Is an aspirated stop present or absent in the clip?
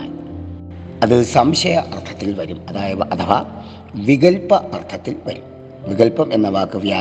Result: present